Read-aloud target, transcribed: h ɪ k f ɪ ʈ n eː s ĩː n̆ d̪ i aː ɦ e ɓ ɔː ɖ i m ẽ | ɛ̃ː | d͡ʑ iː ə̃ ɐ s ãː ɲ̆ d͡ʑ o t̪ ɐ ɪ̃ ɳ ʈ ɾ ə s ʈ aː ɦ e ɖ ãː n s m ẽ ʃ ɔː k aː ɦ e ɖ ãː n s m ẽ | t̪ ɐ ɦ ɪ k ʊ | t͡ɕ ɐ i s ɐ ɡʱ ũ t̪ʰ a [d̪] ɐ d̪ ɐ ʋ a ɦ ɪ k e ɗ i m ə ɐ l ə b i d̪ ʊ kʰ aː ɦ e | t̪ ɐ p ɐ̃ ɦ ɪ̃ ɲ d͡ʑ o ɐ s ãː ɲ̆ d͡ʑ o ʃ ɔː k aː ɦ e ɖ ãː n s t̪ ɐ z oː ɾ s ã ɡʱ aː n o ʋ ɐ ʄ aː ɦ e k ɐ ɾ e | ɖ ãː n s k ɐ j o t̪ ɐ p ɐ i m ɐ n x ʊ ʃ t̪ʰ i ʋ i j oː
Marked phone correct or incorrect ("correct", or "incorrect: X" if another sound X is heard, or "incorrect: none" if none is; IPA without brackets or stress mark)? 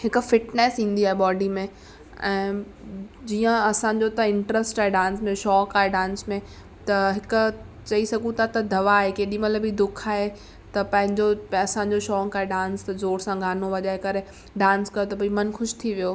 incorrect: t̪